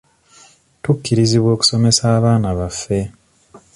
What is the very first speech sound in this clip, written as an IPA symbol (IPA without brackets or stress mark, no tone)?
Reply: t